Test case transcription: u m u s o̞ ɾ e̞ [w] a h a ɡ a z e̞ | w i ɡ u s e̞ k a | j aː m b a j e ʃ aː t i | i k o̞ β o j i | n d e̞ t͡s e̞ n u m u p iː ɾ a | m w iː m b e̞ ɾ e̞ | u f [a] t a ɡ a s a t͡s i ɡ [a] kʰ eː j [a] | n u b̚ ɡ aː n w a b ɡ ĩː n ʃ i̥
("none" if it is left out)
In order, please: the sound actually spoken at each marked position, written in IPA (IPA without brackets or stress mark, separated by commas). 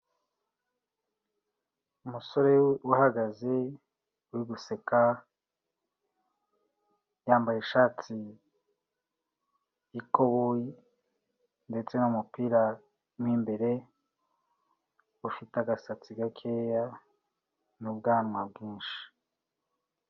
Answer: w, i, a, a